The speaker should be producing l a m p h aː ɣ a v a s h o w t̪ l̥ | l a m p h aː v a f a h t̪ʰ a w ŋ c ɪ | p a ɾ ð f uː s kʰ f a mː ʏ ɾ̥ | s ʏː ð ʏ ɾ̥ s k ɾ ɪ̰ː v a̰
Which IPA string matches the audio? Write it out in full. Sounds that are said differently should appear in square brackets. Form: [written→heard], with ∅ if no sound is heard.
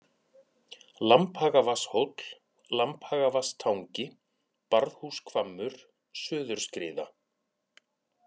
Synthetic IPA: l a m p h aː ɣ a v a s h o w t̪ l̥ | l a m p h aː [v→ɣ] a [f→v] a [h→s] t̪ʰ a w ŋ c ɪ | p a ɾ ð [f→h] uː s kʰ [f→v] a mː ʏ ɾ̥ | s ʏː ð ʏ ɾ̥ s k ɾ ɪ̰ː [v→ð] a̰